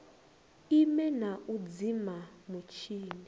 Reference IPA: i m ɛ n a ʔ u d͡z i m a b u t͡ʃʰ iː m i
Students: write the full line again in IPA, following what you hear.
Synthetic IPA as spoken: i m ɛ n a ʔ u d͡z i m a m u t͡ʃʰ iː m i